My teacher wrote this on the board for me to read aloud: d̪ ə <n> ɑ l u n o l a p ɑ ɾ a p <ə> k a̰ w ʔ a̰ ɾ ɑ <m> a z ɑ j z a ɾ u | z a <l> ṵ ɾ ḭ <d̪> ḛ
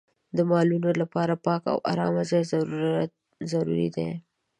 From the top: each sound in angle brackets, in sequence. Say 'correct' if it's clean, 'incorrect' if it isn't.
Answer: incorrect, incorrect, correct, incorrect, correct

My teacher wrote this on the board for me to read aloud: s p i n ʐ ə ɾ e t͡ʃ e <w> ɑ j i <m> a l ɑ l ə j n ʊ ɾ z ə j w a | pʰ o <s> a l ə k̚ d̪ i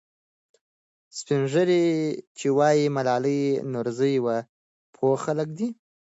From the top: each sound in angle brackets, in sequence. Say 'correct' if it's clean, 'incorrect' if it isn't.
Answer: correct, correct, incorrect

